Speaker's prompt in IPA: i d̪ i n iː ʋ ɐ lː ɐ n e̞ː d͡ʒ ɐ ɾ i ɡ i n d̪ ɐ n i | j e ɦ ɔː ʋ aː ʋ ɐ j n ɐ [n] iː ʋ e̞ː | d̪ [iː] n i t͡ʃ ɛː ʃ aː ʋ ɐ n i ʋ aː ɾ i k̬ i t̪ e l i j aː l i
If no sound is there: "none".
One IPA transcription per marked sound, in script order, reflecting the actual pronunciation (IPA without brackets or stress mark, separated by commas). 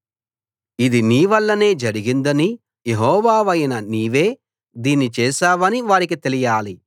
n, iː